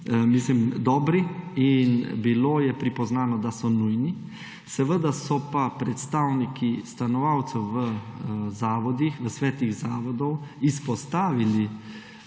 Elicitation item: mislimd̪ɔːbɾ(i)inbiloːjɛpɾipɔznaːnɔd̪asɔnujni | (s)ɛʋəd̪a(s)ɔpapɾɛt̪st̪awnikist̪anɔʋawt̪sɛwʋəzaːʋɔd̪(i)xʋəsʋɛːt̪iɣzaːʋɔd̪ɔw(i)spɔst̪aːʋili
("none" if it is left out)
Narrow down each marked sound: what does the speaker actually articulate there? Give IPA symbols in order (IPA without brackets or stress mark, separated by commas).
i, s, s, i, i